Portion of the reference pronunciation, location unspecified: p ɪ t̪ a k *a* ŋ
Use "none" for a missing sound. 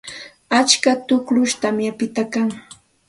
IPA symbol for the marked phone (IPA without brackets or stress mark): a